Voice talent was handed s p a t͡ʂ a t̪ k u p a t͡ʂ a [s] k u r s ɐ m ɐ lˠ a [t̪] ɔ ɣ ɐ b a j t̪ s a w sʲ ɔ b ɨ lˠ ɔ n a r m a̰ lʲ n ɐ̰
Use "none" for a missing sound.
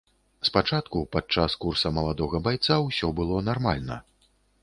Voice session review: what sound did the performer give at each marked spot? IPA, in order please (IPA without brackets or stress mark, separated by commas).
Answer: s, d̪